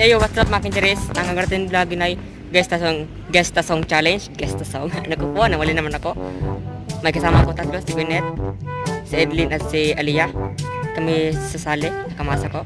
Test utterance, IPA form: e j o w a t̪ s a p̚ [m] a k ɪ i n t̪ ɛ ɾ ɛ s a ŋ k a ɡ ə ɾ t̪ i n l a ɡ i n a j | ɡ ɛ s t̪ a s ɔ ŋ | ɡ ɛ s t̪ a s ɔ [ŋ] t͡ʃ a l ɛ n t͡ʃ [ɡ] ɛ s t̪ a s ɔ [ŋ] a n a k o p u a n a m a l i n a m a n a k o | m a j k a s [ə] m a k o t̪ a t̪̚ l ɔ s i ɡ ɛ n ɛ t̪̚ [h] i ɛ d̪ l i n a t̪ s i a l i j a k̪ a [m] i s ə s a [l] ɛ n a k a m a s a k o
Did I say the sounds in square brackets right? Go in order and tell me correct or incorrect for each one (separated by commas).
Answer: correct, correct, correct, correct, incorrect, incorrect, correct, correct